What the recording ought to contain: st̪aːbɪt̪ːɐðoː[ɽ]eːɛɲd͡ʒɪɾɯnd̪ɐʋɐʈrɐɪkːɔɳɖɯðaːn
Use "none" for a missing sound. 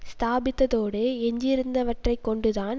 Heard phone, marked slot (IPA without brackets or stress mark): ɽ